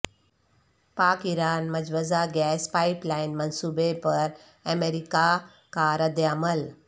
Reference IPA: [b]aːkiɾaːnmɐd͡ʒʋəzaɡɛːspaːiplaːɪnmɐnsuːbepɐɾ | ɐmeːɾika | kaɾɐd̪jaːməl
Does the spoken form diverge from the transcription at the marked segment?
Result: yes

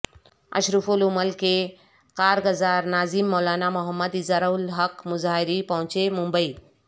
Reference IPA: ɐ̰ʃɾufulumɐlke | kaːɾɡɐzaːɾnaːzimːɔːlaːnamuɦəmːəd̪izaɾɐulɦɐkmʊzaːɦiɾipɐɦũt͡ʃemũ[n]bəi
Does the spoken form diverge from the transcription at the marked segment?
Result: yes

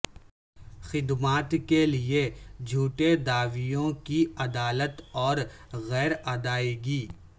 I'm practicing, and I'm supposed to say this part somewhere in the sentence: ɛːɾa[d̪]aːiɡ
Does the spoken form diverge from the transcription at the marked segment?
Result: no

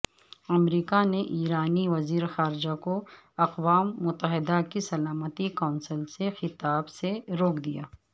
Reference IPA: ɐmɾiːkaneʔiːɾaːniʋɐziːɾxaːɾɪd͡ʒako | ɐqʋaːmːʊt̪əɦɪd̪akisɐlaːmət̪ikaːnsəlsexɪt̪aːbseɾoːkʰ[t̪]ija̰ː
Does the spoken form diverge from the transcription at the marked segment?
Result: yes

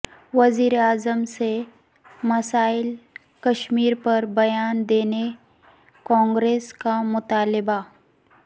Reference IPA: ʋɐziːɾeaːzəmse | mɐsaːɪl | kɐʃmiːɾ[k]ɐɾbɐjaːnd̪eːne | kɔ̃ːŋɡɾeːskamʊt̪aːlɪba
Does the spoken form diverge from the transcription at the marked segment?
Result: yes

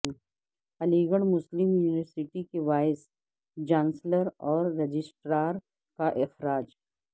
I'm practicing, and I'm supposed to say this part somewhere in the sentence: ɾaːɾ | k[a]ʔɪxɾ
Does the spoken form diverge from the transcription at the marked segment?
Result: no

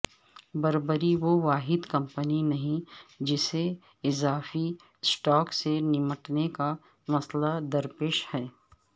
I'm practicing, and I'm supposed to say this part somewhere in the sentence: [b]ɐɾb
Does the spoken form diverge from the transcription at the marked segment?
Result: no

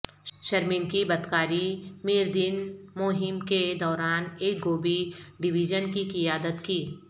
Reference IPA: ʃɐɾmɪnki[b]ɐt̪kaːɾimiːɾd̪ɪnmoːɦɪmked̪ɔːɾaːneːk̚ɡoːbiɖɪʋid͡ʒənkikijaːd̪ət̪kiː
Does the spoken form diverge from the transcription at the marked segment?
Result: no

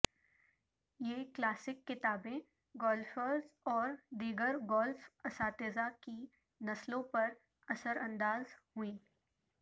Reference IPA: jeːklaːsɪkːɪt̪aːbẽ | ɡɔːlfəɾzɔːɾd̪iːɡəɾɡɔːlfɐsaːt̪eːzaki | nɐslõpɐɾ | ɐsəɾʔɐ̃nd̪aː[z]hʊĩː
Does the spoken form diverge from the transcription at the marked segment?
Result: no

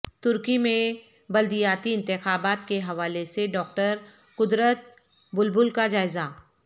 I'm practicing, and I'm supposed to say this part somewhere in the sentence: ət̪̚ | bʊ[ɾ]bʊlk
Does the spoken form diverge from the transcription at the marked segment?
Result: yes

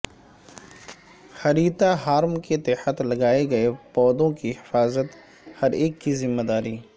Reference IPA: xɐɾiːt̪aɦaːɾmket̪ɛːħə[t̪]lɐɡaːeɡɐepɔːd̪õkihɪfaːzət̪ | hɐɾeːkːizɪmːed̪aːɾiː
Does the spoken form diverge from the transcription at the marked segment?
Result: no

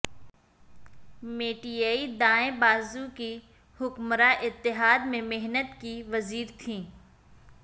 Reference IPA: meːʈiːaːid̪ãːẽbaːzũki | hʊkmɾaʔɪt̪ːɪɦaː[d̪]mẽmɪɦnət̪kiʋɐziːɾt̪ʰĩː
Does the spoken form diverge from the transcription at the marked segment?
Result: no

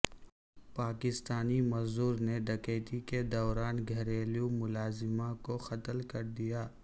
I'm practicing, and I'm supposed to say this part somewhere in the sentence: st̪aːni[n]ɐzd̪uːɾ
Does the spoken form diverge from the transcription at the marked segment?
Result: yes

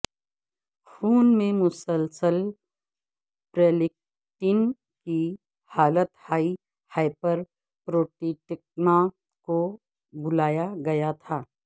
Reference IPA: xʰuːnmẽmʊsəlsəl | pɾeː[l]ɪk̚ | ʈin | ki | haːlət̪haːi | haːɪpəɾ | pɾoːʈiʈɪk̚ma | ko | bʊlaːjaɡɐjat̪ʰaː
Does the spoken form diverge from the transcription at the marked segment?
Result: no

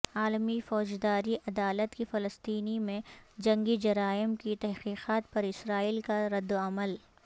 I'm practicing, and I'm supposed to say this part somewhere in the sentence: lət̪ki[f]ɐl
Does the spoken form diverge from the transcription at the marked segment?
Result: no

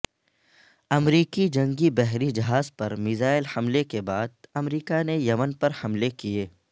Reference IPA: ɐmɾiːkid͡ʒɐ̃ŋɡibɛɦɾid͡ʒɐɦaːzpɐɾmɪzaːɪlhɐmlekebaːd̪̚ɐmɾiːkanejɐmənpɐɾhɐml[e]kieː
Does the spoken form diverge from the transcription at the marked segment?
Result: no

